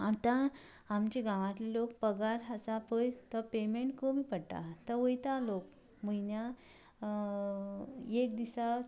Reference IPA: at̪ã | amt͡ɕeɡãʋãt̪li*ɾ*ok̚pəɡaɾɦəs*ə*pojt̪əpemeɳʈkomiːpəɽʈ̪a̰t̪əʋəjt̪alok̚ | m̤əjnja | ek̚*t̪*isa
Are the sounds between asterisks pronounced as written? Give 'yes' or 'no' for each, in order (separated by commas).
no, no, no